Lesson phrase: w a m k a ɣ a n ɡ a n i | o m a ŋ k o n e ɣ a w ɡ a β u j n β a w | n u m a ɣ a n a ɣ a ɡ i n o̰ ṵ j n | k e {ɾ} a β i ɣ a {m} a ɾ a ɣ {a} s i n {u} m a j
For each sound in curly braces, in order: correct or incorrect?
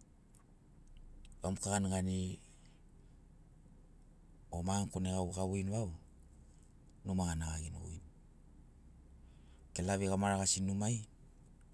incorrect: l, correct, correct, correct

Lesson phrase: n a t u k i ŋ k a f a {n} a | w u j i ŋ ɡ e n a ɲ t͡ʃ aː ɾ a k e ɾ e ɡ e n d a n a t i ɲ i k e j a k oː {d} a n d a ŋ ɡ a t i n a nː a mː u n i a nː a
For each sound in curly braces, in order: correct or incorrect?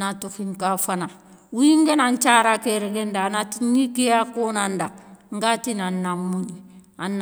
correct, incorrect: n

